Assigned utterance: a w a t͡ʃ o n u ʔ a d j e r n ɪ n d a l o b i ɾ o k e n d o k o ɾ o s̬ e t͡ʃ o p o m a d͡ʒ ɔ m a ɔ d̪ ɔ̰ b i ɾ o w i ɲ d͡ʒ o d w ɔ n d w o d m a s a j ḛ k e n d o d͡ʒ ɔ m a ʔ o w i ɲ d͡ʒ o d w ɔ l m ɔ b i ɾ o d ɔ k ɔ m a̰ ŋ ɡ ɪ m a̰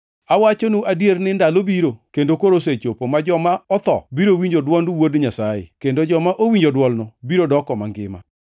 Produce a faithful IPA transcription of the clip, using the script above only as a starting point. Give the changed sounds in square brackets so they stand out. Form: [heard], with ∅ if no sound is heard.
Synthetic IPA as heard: a w a t͡ʃ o n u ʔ a d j e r n ɪ n d a l o b i ɾ o k e n d o k o ɾ o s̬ e t͡ʃ o p o m a d͡ʒ ɔ m a ɔ [t̪] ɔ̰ b i ɾ o w i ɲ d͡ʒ o d w ɔ n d w o d [ɲ] a s a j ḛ k e n d o d͡ʒ ɔ m a ʔ o w i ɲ d͡ʒ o d w ɔ l [n] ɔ b i ɾ o d ɔ k ɔ m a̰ ŋ ɡ ɪ m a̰

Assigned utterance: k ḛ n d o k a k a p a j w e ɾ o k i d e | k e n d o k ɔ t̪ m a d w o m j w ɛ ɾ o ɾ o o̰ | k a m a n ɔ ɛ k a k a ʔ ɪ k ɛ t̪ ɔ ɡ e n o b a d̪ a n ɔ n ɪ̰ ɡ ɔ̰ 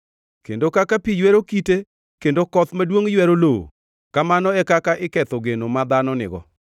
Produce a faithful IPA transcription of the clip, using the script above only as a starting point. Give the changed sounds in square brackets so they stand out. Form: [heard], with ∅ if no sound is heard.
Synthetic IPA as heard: k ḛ n d o k a k a p [i] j w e ɾ o k i [t] e | k e n d o k ɔ t̪ m a d w o [ŋ] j w ɛ ɾ o [l] o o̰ | k a m a n ɔ ɛ k a k a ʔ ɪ k ɛ t̪ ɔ ɡ e n o [m] a d̪ a n ɔ n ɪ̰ ɡ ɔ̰

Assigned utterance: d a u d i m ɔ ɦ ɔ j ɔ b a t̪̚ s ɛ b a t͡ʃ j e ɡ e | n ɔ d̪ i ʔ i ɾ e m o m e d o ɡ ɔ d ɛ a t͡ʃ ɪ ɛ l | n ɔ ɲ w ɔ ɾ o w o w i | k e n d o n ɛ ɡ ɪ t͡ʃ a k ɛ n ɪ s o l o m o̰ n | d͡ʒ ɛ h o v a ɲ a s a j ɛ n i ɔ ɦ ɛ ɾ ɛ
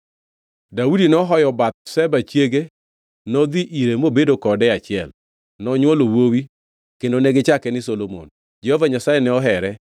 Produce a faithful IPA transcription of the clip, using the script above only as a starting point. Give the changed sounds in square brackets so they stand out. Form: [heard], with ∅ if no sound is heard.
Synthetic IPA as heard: d a u d i [n] ɔ ɦ ɔ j ɔ b a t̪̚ s ɛ b a t͡ʃ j e ɡ e | n ɔ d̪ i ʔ i ɾ e m o [b] e d o [k] ɔ d ɛ a t͡ʃ ɪ ɛ l | n ɔ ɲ w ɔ [l] o w o w i | k e n d o n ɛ ɡ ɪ t͡ʃ a k ɛ n ɪ s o l o m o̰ n | d͡ʒ ɛ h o v a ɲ a s a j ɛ n [ɛ] ɔ ɦ ɛ ɾ ɛ

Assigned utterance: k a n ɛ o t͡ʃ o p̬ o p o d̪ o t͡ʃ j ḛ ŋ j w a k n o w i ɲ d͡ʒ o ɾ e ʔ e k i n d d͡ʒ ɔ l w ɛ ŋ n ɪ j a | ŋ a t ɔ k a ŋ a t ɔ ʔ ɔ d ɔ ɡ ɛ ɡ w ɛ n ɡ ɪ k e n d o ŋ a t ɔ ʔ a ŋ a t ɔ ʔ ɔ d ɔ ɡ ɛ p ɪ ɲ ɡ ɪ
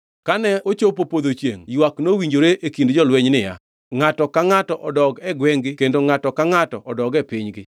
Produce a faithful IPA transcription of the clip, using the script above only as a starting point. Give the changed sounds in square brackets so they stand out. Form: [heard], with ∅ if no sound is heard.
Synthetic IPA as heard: k a n ɛ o t͡ʃ o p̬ o p o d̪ o t͡ʃ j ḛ ŋ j w a k n o w i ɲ d͡ʒ o ɾ e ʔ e k i n d d͡ʒ ɔ l w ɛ [ɲ] n ɪ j a | ŋ a t ɔ k a ŋ a t ɔ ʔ ɔ d ɔ ɡ ɛ ɡ w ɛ [ŋ] ɡ ɪ k e n d o ŋ a t ɔ [k] a ŋ a t ɔ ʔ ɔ d ɔ ɡ ɛ p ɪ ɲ ɡ ɪ

